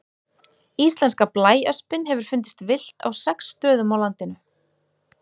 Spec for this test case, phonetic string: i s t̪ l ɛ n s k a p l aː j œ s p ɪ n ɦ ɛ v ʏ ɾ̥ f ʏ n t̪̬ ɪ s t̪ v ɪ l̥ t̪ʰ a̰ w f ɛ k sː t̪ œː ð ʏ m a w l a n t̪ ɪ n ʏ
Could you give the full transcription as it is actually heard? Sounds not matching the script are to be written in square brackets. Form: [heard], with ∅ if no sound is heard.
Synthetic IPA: i s t̪ l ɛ n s k a p l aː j œ s p ɪ n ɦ ɛ v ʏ ɾ̥ f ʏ n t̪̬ ɪ s t̪ v ɪ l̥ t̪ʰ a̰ w [s] ɛ k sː t̪ œː ð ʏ m a w l a n t̪ ɪ n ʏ